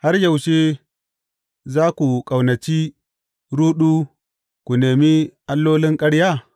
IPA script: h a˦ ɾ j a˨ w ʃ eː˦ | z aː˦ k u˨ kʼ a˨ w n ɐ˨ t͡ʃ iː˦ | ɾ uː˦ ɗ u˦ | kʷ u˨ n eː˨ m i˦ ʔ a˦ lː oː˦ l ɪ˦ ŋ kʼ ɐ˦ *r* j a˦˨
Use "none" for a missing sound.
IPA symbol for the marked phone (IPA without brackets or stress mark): ɽ